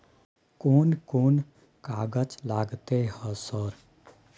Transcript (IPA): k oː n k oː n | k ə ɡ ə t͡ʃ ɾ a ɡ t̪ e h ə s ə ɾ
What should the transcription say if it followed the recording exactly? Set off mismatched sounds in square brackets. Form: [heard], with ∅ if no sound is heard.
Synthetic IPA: k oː n k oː n | k [a] ɡ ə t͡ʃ [l] a ɡ t̪ e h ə s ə ɾ

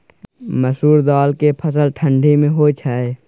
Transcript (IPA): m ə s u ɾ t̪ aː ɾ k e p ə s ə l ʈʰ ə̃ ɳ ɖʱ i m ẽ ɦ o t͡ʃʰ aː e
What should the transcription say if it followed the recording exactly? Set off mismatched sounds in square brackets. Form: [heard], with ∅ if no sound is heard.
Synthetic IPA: m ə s [uː] ɾ [d̪] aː [l] k e [pʰ] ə s ə l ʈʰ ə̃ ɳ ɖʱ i m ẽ ɦ o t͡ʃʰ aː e

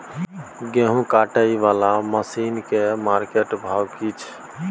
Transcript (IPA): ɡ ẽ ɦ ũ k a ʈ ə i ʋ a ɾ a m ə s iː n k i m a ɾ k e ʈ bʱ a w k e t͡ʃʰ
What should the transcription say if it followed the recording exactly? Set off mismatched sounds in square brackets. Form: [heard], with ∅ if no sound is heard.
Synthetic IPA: ɡ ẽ ɦ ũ k a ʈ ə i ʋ a [l] a m ə s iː n k [e] m a ɾ k e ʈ bʱ a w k [i] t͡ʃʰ

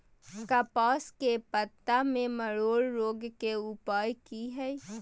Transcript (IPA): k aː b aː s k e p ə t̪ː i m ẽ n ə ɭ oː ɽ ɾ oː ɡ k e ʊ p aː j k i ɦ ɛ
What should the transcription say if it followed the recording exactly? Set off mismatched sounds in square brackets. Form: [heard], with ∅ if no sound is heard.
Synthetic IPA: k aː [p] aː s k e p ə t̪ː [a] m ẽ [m] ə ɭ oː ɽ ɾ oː ɡ k e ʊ p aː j k i ɦ ɛ

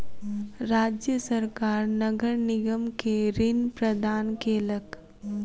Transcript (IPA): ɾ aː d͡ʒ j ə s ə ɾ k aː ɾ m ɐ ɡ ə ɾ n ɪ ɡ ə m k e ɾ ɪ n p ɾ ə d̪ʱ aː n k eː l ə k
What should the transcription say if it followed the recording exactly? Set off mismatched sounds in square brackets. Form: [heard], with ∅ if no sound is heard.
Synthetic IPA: ɾ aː d͡ʒ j ə s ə ɾ k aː ɾ [n] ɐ ɡ ə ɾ n ɪ ɡ ə m k e ɾ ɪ n p ɾ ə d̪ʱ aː n k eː l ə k

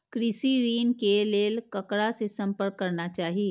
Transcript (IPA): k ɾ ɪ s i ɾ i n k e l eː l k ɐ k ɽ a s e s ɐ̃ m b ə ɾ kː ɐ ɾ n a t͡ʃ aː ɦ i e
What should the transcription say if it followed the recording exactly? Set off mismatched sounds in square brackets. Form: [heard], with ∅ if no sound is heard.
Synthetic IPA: k ɾ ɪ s i ɾ [iː] n k e l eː l k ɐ k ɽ a s e s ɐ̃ m [p] ə ɾ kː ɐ ɾ n a t͡ʃ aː ɦ i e

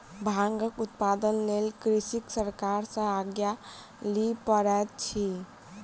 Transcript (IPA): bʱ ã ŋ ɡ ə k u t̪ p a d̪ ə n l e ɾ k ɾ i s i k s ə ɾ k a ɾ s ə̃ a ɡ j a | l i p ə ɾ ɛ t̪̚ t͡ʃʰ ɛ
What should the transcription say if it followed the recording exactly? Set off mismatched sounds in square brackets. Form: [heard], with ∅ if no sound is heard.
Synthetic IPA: bʱ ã ŋ ɡ ə k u t̪ p a d̪ ə n l e [l] k ɾ i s i k s ə ɾ k a ɾ s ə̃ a ɡ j a | l i p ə ɾ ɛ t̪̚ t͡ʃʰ [i]

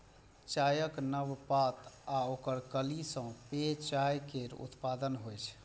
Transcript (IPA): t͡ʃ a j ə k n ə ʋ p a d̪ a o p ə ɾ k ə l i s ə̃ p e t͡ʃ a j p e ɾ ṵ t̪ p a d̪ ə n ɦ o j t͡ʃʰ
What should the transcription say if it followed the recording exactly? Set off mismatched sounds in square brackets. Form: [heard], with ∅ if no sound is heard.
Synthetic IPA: t͡ʃ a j ə k n ə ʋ p a [t̪] a o [k] ə ɾ k ə l i s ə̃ p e t͡ʃ a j [k] e ɾ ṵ t̪ p a d̪ ə n ɦ o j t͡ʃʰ

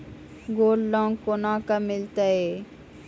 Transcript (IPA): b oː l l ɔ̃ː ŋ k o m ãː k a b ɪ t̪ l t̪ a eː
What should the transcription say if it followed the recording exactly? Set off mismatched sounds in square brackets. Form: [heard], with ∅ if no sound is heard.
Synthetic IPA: [ɡ] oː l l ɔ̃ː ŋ k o [n] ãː k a [m] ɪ [∅] l t̪ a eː

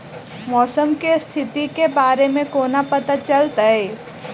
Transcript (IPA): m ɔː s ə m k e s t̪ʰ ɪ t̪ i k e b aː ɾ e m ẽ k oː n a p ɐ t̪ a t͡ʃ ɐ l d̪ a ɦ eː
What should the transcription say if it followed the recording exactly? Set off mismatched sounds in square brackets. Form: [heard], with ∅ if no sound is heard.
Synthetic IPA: m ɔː s ə m k e s t̪ʰ ɪ t̪ i k e b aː ɾ e m ẽ k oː n a p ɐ t̪ a t͡ʃ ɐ l [t̪] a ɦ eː

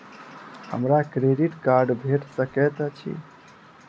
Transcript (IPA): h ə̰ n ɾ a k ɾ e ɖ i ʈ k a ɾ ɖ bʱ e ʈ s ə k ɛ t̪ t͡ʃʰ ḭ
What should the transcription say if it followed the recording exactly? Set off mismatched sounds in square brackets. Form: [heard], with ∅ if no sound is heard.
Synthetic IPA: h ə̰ [m] ɾ a k ɾ e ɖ i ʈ k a ɾ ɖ bʱ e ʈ s ə k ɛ t̪ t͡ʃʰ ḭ

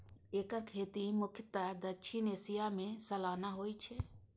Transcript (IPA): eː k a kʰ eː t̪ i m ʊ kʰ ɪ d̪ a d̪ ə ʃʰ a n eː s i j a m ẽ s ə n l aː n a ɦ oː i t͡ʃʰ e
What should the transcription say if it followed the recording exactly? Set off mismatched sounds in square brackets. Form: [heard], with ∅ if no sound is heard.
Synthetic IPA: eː k a kʰ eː t̪ i m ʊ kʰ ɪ [t̪] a d̪ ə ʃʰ [i] n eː s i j a m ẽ s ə [∅] l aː n a ɦ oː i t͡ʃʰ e

